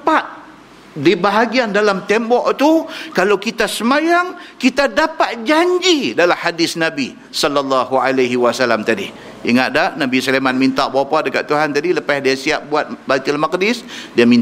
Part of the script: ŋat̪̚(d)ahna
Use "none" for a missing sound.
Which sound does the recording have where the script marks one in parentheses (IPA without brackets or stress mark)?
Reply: d